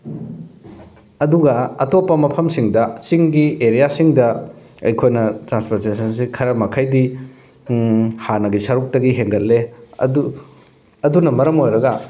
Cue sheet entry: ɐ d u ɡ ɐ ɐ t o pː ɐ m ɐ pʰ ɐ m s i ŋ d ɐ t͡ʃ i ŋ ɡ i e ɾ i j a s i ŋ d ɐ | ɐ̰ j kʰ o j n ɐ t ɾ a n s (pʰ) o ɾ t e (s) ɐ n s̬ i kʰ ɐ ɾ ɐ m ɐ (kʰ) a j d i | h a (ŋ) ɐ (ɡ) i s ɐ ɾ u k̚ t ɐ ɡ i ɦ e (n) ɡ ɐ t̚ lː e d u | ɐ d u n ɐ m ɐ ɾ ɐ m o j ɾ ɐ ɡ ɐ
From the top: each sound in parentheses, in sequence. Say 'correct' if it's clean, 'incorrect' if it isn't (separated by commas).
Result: incorrect, correct, correct, incorrect, correct, incorrect